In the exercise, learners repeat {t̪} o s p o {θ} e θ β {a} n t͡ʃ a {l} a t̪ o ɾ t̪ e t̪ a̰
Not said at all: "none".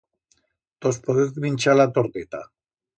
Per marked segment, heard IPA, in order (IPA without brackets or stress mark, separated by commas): t̪, ð, i, l